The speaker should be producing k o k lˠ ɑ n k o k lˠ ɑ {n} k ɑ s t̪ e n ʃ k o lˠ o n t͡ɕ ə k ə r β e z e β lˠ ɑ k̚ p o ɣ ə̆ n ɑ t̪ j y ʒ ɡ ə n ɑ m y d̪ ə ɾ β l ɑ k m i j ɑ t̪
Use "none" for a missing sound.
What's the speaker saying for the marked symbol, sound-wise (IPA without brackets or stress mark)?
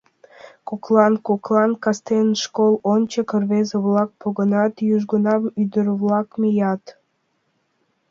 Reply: n